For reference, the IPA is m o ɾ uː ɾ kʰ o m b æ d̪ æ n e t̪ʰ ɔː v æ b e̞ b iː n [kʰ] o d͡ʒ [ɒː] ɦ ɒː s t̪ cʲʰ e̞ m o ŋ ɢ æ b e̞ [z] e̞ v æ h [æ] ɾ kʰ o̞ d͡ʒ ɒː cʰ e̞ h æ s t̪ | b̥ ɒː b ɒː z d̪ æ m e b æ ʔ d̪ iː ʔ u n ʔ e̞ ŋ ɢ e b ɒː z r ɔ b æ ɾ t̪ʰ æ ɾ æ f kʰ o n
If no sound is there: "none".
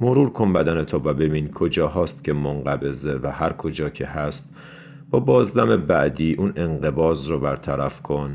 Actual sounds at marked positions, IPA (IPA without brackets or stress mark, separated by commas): kʰ, ɒː, z, æ